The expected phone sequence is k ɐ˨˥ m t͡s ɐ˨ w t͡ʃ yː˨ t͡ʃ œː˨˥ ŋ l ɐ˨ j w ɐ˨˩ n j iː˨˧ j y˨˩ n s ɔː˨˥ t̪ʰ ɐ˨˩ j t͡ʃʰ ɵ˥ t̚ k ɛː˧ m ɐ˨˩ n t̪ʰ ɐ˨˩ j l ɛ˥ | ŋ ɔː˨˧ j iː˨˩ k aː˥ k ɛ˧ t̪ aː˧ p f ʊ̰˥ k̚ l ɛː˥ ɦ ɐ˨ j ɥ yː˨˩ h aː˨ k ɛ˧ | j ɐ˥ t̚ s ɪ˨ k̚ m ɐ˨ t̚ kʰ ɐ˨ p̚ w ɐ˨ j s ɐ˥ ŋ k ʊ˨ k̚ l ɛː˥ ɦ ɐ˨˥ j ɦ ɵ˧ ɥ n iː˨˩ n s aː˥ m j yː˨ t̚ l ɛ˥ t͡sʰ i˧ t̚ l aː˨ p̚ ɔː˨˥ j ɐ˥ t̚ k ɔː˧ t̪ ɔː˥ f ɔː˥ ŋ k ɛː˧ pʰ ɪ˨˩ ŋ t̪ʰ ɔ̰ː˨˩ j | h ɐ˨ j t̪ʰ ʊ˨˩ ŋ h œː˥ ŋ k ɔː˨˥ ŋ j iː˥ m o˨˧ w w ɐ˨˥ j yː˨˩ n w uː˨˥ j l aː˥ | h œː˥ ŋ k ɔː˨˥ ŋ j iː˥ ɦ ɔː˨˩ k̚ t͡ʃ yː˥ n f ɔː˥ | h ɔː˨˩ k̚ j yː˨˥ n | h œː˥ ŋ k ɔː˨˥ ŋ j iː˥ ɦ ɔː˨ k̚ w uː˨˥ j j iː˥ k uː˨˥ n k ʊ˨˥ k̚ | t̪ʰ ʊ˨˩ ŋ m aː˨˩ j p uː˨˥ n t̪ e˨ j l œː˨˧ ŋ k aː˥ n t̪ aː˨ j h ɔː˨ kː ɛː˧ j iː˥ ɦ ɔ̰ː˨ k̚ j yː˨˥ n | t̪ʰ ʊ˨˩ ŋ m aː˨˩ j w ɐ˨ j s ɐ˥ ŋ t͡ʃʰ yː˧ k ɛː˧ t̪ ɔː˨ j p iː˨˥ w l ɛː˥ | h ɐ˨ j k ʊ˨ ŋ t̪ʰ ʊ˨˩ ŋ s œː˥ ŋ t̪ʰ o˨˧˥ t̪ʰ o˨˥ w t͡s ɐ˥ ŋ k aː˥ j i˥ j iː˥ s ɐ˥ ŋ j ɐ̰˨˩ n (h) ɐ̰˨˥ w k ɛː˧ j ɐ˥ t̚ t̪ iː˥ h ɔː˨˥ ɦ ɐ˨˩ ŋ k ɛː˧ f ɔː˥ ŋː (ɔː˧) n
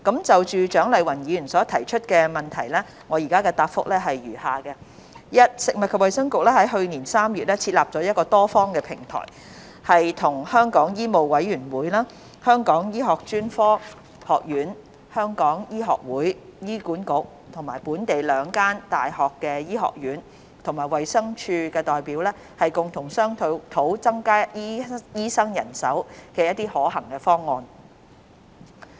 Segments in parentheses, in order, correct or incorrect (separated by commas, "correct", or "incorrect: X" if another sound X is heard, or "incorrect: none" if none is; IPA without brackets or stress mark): incorrect: s, correct